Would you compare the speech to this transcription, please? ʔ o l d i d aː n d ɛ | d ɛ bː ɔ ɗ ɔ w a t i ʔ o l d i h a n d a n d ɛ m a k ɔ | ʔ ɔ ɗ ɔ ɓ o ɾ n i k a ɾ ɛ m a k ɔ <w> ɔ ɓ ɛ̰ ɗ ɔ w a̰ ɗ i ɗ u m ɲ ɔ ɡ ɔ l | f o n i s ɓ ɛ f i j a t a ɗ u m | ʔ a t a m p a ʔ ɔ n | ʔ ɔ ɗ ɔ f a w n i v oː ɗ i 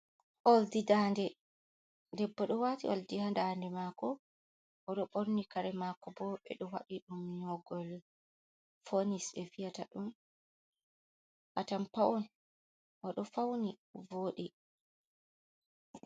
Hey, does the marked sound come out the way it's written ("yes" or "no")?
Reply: no